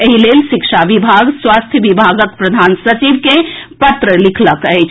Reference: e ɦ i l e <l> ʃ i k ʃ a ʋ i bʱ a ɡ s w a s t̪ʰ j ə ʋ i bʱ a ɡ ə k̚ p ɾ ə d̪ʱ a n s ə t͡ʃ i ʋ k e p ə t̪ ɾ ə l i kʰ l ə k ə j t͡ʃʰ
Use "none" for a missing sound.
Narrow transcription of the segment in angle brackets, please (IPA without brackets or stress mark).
l